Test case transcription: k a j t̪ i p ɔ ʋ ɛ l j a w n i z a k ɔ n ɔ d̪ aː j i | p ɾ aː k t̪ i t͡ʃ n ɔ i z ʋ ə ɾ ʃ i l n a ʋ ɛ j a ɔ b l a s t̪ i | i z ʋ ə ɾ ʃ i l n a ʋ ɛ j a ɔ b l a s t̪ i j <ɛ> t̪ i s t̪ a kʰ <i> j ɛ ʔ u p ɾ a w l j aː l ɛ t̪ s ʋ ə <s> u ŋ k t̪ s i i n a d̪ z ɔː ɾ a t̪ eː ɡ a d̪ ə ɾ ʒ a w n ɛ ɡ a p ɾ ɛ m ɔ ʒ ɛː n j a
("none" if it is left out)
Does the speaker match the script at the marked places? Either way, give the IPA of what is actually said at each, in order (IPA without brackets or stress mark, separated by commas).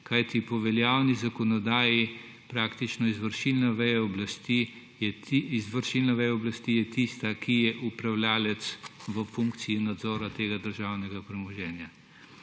ɛ, i, f